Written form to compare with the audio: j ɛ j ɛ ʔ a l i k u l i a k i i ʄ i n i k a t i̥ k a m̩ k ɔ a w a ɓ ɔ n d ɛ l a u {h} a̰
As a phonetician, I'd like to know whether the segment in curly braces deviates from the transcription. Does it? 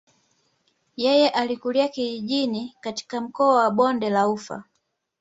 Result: yes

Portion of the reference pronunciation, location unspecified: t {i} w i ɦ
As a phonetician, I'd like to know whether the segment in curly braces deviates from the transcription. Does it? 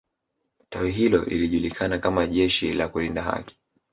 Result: yes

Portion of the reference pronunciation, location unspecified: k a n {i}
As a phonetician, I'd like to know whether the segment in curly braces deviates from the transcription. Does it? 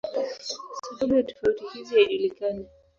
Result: yes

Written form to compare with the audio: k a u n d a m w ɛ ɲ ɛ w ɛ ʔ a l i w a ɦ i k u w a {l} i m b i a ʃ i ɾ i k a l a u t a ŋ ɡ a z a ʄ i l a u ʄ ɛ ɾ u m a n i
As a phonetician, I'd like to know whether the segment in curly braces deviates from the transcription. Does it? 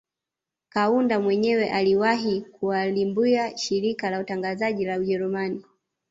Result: no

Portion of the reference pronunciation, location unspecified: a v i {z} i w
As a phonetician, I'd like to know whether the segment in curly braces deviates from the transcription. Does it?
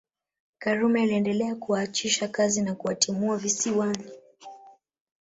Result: yes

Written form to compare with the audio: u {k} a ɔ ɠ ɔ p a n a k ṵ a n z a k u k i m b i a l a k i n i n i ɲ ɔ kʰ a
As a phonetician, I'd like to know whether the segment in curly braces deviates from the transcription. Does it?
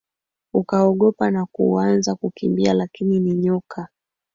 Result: no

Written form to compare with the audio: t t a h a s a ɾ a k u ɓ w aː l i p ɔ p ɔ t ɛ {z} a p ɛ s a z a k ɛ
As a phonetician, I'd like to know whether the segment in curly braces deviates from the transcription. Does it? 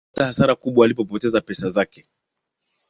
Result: no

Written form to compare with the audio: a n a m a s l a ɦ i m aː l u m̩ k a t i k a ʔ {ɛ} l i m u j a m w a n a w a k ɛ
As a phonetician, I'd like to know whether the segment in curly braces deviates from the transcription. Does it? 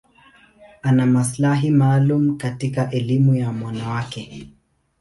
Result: no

